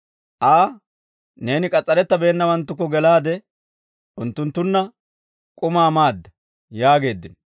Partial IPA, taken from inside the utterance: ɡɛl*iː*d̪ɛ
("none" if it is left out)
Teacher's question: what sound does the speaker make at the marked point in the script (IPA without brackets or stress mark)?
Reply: aː